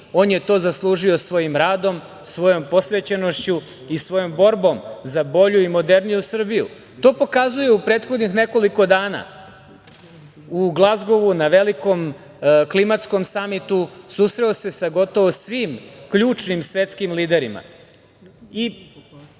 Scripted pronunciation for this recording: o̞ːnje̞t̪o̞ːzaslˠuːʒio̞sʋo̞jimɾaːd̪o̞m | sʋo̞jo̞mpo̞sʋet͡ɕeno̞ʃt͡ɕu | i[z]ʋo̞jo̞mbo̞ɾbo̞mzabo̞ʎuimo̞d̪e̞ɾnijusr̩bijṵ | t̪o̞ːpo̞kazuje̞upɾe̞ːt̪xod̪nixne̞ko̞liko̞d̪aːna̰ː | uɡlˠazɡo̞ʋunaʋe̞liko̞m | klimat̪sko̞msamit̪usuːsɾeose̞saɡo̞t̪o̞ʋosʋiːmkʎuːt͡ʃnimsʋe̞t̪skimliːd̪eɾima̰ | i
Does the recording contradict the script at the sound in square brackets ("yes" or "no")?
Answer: yes